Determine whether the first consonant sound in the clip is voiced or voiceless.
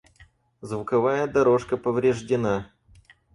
voiced